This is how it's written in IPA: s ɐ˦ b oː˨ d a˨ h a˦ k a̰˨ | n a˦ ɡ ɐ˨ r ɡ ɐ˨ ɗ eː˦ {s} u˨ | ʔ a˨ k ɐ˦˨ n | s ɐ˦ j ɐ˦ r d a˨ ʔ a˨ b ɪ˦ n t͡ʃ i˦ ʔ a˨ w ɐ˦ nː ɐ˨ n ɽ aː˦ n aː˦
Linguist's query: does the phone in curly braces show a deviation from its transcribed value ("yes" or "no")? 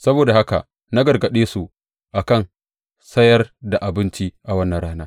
no